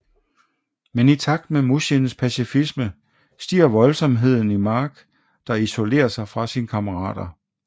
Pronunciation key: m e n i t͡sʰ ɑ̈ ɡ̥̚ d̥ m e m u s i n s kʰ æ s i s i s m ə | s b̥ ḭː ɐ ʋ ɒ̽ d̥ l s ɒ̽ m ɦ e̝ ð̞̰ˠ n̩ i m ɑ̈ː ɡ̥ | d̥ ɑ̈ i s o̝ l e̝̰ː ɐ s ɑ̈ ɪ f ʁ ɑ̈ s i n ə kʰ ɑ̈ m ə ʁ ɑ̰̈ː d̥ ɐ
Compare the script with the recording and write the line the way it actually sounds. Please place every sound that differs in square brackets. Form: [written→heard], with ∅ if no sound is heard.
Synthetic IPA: m e n i t͡sʰ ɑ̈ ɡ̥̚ d̥ m e m u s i n s [kʰ→pʰ] æ s i [s→f] i s m ə | s [b̥→d̥] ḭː ɐ ʋ ɒ̽ [d̥→∅] l s ɒ̽ m ɦ e̝ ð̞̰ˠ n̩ i m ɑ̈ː ɡ̥ | d̥ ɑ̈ i s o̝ l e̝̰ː ɐ s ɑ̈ ɪ f ʁ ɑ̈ s i n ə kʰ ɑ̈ m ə ʁ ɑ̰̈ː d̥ ɐ

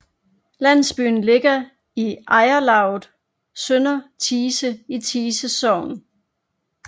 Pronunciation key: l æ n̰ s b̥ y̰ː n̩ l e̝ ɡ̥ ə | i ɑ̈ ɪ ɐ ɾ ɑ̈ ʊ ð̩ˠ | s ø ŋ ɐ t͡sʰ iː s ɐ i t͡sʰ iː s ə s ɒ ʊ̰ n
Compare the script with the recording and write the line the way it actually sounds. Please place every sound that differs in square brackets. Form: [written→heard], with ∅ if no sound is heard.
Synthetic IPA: l æ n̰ s b̥ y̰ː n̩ l e̝ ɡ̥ [ə→ɐ] | i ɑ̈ ɪ ɐ [ɾ→l] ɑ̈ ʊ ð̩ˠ | s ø [ŋ→n] ɐ t͡sʰ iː s [ɐ→ə] i t͡sʰ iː s ə s ɒ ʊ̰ n

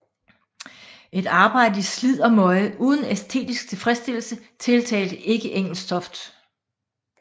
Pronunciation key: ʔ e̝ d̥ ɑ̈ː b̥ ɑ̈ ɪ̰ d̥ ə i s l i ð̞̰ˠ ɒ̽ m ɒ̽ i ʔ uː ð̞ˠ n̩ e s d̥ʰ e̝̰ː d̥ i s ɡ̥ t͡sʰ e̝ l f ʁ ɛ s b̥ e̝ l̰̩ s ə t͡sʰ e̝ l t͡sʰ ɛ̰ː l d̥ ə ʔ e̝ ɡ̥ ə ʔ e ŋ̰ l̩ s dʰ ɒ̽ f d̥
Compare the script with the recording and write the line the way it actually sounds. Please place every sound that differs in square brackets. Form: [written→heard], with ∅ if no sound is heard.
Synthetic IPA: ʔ e̝ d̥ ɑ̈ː b̥ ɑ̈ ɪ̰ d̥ ə i s l i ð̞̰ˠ ɒ̽ m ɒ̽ [i→ɪ] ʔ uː ð̞ˠ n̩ e s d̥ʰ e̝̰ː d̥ i s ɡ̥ t͡sʰ e̝ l f ʁ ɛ s [b̥→d̥] e̝ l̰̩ s ə t͡sʰ e̝ l t͡sʰ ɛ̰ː l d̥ ə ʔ e̝ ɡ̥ ə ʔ e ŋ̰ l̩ s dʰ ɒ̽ f d̥

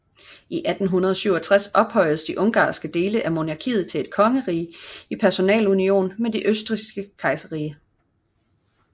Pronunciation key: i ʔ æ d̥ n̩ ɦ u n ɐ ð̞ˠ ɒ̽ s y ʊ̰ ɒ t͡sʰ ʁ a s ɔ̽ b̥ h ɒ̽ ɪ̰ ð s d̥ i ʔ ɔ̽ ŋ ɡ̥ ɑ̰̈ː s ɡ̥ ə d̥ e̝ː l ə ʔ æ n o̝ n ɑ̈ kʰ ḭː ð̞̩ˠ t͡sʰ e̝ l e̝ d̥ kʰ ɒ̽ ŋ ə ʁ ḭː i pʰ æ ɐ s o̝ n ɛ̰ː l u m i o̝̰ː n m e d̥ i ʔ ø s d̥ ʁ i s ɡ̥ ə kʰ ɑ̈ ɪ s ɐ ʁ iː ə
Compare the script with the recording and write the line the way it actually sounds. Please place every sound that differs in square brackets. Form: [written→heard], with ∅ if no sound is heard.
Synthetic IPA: i ʔ æ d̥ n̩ ɦ u n ɐ ð̞ˠ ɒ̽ s y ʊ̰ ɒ t͡sʰ ʁ a s [ɔ̽→ɒ̽] b̥ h ɒ̽ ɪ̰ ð s d̥ i ʔ ɔ̽ ŋ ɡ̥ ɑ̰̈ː s ɡ̥ ə d̥ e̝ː l ə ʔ æ [n→m] o̝ n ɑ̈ kʰ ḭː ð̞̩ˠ t͡sʰ e̝ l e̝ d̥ kʰ ɒ̽ ŋ ə ʁ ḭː i pʰ æ ɐ s o̝ n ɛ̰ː l u [m→n] i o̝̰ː n m e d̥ i ʔ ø s d̥ ʁ i s ɡ̥ ə kʰ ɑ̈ ɪ s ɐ ʁ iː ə

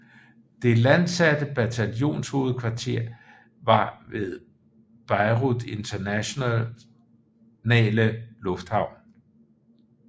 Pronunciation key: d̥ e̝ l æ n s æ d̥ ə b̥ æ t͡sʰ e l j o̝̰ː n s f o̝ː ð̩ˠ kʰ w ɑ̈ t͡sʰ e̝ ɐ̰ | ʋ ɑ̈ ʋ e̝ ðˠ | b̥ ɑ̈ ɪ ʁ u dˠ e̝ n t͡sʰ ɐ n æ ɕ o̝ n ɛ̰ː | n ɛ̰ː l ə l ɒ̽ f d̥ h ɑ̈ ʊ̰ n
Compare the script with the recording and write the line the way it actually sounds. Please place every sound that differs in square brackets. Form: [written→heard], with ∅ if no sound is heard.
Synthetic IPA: d̥ e̝ l æ n s æ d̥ ə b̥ æ t͡sʰ [e→æ] l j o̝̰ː n s [f→h] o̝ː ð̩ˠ kʰ [w→ʋ] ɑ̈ t͡sʰ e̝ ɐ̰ | ʋ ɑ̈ ʋ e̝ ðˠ | b̥ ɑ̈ ɪ ʁ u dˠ e̝ n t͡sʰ ɐ n æ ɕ o̝ n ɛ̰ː | n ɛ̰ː l ə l [ɒ̽→ɔ̽] f d̥ h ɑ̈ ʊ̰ n

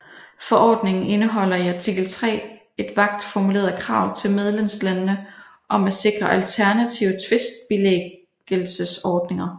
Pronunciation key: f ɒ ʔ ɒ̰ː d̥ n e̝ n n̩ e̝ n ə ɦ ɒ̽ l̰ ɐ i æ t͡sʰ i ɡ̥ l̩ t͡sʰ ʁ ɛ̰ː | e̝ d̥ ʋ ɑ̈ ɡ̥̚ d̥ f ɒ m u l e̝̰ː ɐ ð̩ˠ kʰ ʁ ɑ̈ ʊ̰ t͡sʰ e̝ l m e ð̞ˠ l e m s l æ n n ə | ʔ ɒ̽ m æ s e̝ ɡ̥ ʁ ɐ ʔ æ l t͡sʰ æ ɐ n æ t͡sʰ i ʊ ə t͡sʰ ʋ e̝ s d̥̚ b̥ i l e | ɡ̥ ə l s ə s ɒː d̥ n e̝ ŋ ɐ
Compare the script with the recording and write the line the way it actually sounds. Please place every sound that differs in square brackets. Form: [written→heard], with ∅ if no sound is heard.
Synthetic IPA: f ɒ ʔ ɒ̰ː d̥ n e̝ [n→ŋ] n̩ e̝ n ə ɦ ɒ̽ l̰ ɐ i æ t͡sʰ i ɡ̥ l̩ t͡sʰ ʁ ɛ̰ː | e̝ d̥ ʋ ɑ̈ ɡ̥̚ d̥ f ɒ m u l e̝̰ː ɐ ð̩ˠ kʰ ʁ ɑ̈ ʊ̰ t͡sʰ e̝ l m e ð̞ˠ l e m s l æ n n ə | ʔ ɒ̽ m æ s e̝ ɡ̥ ʁ ɐ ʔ æ l t͡sʰ æ ɐ n æ t͡sʰ i ʊ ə t͡sʰ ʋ e̝ s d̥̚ b̥ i l e | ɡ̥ ə l s ə s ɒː d̥ n e̝ ŋ ɐ

